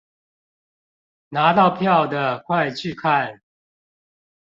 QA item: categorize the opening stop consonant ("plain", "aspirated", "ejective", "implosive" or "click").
plain